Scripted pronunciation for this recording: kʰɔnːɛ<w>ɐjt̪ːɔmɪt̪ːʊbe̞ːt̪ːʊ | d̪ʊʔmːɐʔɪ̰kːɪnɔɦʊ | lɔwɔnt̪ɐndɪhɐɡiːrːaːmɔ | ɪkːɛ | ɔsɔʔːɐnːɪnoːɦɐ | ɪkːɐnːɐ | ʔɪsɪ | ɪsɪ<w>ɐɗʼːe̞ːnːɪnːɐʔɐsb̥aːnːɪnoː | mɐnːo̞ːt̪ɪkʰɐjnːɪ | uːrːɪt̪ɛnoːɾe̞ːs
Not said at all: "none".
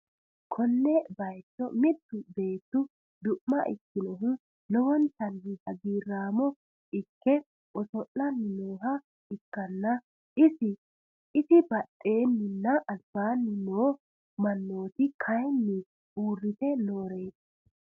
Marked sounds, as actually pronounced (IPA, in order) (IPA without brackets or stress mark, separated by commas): b, b